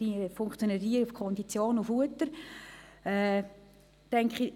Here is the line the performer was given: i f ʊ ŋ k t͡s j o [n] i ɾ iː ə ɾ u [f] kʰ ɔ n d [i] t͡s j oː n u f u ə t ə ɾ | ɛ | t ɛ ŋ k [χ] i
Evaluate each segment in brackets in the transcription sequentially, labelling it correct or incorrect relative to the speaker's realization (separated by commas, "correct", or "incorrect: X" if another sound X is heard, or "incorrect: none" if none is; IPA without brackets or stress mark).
correct, correct, correct, correct